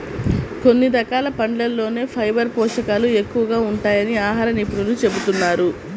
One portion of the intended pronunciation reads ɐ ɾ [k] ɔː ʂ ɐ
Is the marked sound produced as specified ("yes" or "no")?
no